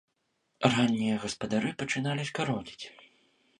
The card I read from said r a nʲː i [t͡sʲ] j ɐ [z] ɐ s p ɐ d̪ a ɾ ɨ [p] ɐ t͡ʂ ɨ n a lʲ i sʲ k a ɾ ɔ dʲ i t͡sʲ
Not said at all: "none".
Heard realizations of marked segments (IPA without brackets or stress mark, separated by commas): none, ɣ, p